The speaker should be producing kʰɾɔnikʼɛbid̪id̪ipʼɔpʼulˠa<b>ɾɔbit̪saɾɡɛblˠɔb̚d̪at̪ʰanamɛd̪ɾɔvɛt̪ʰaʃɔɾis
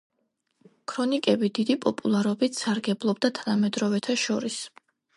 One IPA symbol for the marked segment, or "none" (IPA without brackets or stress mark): none